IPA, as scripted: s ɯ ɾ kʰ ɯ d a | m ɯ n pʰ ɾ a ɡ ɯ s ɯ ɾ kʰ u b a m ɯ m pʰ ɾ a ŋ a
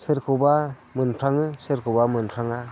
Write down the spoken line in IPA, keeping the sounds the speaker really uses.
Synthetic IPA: s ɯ ɾ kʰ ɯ b a | m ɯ n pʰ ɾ a ŋ ɯ s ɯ ɾ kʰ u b a m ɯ n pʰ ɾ a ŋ a

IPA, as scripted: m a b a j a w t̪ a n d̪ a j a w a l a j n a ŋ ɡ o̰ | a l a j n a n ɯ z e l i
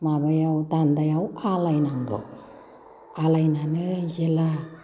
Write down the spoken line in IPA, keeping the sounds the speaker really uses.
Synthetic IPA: m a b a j a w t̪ a n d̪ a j a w a l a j n a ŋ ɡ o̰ | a l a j n a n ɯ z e l a

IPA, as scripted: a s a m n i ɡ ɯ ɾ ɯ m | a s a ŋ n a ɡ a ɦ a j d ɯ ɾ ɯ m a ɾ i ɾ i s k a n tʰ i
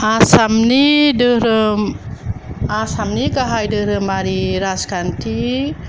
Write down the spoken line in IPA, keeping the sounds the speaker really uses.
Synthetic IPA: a s a m n i d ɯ ɾ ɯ m | a s a m n i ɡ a ɦ a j d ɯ ɾ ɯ m a ɾ i ɾ a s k a n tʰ i

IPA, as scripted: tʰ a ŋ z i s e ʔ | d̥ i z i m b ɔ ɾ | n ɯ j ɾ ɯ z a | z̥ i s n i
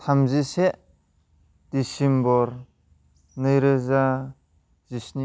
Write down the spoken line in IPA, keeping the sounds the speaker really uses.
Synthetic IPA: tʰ a m z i s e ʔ | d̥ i s i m b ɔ ɾ | n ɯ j ɾ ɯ z a | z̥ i s n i

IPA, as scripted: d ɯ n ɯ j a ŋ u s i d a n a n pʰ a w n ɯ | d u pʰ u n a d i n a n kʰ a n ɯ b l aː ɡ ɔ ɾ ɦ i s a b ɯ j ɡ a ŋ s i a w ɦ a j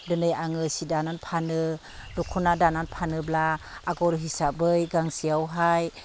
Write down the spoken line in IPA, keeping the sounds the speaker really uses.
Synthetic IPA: d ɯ n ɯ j a ŋ ɯ s i d a n a n pʰ a n ɯ | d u kʰ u n a d a n a n pʰ a n ɯ b l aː ɡ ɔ ɾ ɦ i s a b ɯ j ɡ a ŋ s i a w ɦ a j

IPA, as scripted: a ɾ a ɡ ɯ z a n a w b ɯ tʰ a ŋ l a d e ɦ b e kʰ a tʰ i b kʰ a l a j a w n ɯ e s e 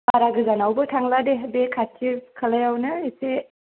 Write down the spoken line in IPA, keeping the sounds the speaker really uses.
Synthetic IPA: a ɾ a ɡ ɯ z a n a w b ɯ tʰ a ŋ l a d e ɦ b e kʰ a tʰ i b kʰ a l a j a w n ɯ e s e

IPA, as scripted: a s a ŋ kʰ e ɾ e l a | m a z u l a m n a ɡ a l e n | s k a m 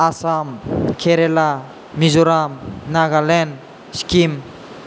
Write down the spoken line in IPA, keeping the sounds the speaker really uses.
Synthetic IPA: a s a m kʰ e ɾ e l a | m i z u ɾ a m n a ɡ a l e n | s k i m

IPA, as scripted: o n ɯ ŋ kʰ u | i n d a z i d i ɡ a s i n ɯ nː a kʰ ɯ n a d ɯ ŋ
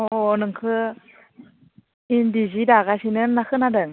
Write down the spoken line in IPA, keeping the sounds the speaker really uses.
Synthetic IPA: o n ɯ ŋ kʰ ɯ | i n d i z i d a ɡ a s i n ɯ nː a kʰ ɯ n a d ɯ ŋ

